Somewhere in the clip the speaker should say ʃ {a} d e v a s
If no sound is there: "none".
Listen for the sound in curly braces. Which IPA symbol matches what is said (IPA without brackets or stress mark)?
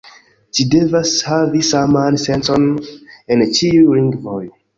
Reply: i